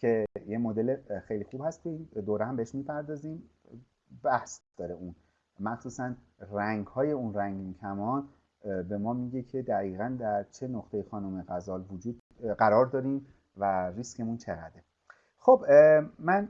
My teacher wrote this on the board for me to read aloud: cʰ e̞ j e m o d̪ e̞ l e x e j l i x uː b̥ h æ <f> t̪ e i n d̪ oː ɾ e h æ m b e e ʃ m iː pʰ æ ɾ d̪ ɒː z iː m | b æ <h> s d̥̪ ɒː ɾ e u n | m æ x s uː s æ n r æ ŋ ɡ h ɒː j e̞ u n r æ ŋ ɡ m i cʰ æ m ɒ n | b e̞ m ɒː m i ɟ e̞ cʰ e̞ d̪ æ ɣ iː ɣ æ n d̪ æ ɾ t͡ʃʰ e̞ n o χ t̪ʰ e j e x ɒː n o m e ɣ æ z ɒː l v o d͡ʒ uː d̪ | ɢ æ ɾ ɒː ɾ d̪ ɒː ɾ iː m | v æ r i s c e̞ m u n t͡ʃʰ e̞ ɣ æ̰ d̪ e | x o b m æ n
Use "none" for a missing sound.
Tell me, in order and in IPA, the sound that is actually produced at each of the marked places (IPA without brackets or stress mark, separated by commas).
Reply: s, h